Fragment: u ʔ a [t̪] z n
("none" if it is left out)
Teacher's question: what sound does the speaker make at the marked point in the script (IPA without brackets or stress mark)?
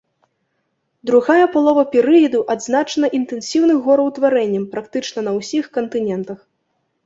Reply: d̪